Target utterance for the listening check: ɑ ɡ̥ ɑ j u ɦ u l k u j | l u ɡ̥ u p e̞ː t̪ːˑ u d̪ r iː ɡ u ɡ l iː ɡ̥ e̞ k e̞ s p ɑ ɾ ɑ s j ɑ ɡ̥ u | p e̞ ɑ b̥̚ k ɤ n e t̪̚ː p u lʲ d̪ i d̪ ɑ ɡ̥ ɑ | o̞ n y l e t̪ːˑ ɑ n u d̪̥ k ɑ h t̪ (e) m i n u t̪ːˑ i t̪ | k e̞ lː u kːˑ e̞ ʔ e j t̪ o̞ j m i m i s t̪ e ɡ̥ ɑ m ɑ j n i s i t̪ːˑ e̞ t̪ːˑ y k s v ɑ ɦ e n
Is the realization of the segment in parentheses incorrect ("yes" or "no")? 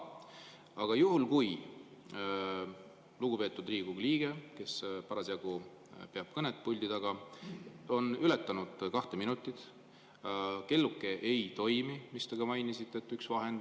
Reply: no